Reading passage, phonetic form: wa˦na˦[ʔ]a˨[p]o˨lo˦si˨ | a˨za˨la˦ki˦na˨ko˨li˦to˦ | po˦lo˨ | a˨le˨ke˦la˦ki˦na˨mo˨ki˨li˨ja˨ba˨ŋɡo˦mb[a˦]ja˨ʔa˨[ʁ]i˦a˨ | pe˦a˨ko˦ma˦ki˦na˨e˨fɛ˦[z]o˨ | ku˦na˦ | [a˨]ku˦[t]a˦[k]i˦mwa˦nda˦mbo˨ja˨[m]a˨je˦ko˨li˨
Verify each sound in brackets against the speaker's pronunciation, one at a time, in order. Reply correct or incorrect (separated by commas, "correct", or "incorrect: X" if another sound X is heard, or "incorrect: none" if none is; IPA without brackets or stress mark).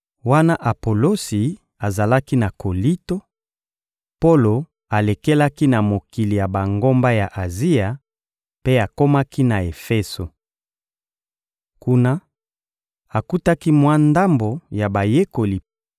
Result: correct, correct, correct, incorrect: z, incorrect: s, correct, correct, correct, incorrect: b